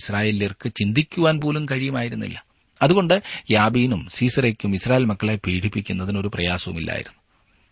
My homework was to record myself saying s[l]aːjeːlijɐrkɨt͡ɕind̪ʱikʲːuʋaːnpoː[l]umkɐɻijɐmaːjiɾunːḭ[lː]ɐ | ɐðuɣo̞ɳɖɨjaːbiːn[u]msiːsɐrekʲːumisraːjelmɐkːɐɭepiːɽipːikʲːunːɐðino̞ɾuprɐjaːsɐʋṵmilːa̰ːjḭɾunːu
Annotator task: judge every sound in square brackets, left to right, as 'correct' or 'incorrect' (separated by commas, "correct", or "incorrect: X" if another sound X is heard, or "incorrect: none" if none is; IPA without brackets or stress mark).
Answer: incorrect: r, correct, correct, correct